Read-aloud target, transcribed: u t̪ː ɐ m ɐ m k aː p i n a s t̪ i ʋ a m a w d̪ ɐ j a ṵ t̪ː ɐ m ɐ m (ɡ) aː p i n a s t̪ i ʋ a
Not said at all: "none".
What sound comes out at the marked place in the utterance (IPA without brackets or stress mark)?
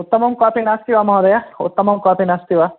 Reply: k